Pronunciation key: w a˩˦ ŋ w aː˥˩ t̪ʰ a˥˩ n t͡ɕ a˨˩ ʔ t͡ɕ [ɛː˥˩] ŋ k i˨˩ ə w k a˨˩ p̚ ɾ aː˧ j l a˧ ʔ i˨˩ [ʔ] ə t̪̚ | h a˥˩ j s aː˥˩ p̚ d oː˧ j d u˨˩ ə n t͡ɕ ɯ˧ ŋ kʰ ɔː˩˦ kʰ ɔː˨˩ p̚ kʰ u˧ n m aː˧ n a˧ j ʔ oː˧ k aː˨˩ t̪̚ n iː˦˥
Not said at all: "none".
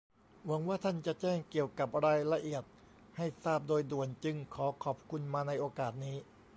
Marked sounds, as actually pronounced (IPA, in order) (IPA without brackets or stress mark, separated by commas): ɛː˥˩, none